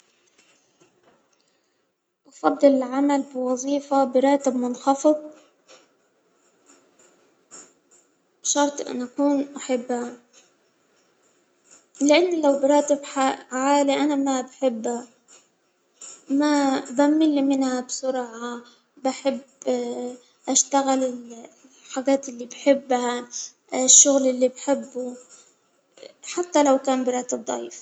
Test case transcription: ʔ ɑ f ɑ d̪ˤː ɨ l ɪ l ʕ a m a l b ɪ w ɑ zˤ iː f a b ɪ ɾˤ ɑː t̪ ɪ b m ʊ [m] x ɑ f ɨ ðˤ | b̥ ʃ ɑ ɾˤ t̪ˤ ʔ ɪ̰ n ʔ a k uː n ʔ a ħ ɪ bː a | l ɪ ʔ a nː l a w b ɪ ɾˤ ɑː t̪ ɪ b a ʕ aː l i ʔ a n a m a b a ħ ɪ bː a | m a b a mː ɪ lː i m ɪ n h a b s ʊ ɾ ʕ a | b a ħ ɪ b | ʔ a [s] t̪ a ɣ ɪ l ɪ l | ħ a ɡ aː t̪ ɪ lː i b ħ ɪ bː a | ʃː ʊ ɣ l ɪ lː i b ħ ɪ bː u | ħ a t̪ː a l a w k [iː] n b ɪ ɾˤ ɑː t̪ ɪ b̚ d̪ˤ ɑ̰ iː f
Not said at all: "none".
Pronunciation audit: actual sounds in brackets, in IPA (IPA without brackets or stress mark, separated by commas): n, ʃ, aː